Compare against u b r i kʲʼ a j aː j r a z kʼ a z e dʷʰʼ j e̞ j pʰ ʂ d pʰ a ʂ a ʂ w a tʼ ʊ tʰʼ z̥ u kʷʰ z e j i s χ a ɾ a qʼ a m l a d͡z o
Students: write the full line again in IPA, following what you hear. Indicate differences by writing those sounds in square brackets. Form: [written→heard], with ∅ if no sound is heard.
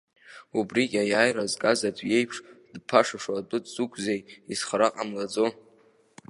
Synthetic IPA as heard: u b r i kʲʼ a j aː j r a z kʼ a z [e→a] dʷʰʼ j e̞ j pʰ ʂ d pʰ a ʂ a ʂ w a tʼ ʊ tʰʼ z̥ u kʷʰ z e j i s χ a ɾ a qʼ a m l a d͡z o